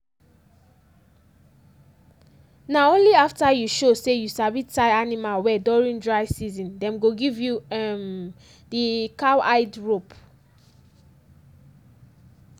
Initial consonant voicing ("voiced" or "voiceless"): voiced